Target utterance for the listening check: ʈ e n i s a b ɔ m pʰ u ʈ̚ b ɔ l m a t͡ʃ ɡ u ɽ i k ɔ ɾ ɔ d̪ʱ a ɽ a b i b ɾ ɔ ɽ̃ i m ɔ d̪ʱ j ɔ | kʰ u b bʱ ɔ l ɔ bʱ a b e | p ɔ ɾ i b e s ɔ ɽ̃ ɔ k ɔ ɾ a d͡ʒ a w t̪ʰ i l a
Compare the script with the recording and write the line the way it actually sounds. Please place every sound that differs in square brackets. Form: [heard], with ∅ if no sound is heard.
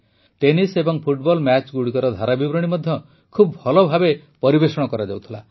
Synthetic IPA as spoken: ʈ e n i s [e] b ɔ [ŋ] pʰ u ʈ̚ b ɔ l m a t͡ʃ ɡ u ɽ i k ɔ ɾ ɔ d̪ʱ a [ɾ] a b i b ɾ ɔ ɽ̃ i m ɔ d̪ʱ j ɔ | kʰ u b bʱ ɔ l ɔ bʱ a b e | p ɔ ɾ i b e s ɔ ɽ̃ ɔ k ɔ ɾ a d͡ʒ a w t̪ʰ i l a